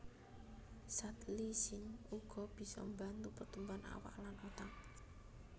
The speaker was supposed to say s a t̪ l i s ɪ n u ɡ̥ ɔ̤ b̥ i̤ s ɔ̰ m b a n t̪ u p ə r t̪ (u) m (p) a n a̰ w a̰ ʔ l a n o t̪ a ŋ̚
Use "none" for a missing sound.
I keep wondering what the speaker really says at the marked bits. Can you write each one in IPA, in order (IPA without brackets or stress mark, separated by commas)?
u, b